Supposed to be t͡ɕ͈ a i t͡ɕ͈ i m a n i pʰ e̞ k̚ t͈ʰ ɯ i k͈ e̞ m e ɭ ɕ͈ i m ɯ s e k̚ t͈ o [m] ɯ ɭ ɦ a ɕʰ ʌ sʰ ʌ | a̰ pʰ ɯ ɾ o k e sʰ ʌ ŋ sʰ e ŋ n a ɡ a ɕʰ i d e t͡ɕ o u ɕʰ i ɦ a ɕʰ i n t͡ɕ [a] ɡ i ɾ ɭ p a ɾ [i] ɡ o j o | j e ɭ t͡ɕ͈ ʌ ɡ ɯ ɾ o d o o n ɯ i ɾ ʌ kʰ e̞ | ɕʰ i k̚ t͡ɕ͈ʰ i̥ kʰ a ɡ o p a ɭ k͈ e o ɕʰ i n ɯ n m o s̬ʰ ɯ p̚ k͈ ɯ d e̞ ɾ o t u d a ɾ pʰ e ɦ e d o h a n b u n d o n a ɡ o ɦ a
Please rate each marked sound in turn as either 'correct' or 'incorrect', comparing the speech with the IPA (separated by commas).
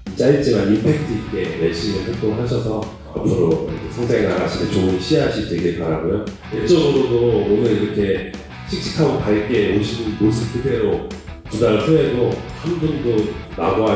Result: incorrect, incorrect, incorrect